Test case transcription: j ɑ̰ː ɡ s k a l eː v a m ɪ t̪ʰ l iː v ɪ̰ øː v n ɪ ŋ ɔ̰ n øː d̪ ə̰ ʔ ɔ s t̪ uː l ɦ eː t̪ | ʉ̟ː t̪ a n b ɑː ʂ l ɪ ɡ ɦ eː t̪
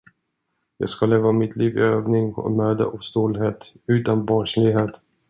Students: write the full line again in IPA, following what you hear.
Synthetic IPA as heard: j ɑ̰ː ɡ s k a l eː v a m ɪ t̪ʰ l iː v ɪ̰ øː v n ɪ ŋ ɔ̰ m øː d̪ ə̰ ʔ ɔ s t̪ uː l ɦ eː t̪ | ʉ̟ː t̪ a n b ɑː ʂ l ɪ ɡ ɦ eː t̪